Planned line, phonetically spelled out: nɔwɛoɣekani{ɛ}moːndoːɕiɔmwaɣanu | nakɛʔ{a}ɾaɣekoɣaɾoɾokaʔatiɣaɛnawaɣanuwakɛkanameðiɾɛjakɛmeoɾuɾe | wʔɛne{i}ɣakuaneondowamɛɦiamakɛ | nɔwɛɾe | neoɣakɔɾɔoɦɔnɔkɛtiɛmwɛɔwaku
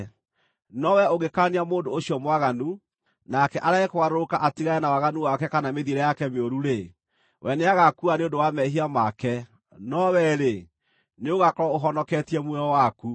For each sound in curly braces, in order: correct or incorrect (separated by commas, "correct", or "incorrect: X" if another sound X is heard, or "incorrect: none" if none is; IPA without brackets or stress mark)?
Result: incorrect: a, correct, incorrect: a